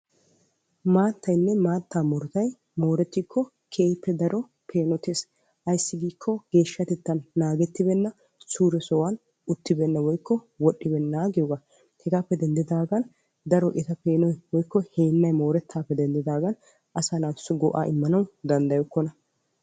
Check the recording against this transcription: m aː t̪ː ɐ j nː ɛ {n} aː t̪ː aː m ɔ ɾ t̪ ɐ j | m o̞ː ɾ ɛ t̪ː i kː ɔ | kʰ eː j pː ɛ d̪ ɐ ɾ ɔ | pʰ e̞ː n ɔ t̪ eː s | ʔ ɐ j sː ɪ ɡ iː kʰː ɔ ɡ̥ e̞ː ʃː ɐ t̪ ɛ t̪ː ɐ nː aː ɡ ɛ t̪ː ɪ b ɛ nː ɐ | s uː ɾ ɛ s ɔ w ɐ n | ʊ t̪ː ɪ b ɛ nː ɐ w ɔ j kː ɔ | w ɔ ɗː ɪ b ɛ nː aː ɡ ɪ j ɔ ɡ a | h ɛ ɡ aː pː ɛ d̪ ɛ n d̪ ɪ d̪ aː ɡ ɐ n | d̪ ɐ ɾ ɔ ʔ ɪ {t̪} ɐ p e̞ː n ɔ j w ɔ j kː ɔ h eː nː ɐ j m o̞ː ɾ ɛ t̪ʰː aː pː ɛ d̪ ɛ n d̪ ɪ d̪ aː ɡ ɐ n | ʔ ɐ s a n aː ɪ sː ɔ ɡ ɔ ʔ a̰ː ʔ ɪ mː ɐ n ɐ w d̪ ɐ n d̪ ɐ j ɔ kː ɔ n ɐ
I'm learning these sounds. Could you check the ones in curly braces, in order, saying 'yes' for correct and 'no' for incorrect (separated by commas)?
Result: no, yes